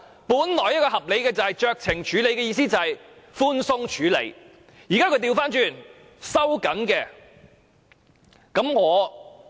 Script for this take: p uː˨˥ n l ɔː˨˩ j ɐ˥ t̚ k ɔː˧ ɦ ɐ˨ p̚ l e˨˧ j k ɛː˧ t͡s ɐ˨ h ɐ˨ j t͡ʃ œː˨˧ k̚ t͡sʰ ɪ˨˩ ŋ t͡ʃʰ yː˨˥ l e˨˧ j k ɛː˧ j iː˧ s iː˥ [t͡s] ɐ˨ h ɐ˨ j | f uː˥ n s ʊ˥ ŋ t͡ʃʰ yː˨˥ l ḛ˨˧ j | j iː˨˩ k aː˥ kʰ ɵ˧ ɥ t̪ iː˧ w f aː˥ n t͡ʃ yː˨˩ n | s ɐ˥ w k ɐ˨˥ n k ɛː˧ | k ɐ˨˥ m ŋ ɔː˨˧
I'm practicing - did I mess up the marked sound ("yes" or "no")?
no